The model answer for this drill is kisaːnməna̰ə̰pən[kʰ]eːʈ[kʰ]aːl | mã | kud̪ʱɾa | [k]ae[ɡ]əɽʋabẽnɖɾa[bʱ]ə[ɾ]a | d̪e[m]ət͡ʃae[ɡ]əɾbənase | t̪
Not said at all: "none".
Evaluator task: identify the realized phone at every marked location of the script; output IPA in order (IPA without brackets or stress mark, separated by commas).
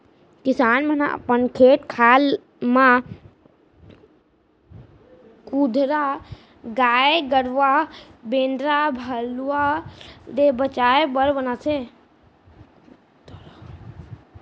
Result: kʰ, kʰ, ɡ, ɡ, bʱ, l, b, b